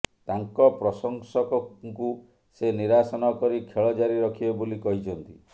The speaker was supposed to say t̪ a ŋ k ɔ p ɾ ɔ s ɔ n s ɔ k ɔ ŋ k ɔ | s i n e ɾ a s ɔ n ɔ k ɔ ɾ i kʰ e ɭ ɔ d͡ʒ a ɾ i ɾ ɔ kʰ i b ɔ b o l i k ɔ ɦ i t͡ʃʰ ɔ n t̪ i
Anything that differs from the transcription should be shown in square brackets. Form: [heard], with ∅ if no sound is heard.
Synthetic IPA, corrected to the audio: t̪ a ŋ k ɔ p ɾ ɔ s ɔ [ŋ] s ɔ k ɔ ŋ k [u] | s [e] n [i] ɾ a s ɔ n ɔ k ɔ ɾ i kʰ e ɭ ɔ d͡ʒ a ɾ i ɾ ɔ kʰ i b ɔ b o l i k ɔ ɦ i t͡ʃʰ ɔ n t̪ i